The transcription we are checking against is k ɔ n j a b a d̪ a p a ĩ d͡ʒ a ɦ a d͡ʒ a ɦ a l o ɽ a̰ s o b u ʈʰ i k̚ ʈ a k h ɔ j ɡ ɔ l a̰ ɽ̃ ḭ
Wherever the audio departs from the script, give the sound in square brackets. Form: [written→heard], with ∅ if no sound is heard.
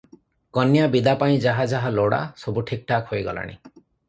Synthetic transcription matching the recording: k ɔ n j a b [a→i] d̪ a p a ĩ d͡ʒ a ɦ a d͡ʒ a ɦ a l o ɽ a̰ s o b u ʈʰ i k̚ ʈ a k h [ɔ→o] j ɡ ɔ l a̰ ɽ̃ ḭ